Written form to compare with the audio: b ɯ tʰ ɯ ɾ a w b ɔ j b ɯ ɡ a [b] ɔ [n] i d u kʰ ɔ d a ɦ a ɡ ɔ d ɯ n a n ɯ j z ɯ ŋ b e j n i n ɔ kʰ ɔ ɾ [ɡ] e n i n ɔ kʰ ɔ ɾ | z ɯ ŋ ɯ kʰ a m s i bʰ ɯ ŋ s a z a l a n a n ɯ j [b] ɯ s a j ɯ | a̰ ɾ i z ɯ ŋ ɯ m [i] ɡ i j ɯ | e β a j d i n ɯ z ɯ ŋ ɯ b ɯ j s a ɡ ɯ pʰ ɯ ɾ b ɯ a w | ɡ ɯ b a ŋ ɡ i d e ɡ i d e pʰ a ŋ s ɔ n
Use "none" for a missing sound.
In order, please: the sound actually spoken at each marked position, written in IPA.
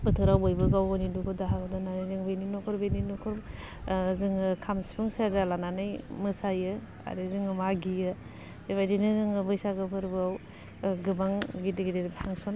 w, n, b, m, a

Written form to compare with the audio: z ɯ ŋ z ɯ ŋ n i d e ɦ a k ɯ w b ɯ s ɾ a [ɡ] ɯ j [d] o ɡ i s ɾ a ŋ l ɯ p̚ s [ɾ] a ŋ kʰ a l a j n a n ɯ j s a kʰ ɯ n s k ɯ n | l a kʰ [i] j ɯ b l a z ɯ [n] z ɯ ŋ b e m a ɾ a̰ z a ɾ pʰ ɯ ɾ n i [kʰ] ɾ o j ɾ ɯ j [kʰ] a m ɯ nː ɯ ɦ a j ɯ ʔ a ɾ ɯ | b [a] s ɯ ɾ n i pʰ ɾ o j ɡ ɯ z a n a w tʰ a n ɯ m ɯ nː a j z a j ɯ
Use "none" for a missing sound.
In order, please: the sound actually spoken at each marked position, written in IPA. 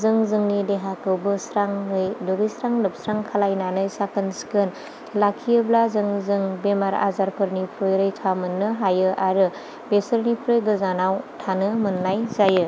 ŋ, d, ɾ, i, ŋ, pʰ, tʰ, e

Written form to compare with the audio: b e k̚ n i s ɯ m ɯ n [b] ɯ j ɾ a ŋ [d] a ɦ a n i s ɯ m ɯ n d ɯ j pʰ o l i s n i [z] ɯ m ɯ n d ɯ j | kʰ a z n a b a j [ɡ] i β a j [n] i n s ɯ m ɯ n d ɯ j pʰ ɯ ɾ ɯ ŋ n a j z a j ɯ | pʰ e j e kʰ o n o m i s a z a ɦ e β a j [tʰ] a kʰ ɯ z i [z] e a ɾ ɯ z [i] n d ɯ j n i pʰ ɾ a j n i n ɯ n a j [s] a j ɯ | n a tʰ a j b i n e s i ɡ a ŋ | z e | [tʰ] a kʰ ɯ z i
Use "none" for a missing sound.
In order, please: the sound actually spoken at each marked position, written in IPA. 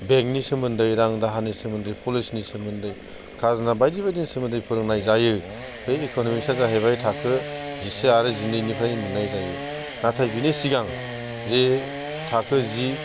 d, d, s, d, d, tʰ, s, i, z, tʰ

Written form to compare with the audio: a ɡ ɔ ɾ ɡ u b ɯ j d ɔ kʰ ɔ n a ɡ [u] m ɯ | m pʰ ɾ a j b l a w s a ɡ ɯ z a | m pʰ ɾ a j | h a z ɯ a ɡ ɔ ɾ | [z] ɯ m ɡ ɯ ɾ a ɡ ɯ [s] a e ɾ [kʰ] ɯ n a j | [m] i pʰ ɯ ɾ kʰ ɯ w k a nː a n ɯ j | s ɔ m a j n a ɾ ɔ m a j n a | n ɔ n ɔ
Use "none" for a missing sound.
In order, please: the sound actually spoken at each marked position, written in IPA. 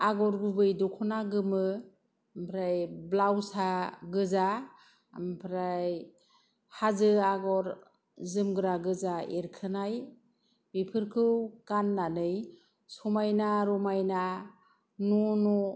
ɯ, z, z, kʰ, b

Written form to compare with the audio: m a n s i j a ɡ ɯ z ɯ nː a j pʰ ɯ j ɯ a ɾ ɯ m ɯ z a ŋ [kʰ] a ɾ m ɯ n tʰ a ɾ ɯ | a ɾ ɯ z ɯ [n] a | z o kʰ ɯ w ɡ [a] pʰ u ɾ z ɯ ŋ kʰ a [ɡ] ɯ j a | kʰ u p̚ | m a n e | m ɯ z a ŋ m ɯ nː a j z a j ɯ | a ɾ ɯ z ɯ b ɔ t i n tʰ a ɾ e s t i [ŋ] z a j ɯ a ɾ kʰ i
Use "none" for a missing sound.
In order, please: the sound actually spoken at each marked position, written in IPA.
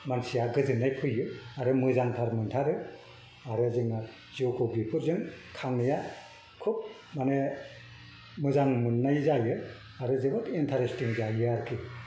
tʰ, ŋ, i, ŋ, ŋ

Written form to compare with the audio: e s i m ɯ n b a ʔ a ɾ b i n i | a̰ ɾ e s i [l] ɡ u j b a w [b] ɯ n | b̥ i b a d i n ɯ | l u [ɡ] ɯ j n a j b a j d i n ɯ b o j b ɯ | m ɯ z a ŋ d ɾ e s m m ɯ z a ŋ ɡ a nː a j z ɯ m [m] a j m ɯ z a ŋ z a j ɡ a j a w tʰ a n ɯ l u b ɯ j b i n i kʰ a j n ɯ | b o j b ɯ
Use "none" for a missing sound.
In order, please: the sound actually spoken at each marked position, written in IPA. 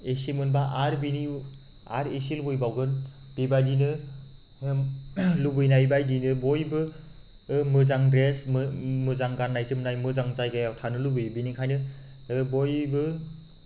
l, ɡ, b, n

